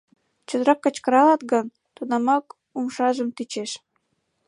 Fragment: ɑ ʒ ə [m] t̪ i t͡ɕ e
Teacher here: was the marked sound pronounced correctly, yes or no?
yes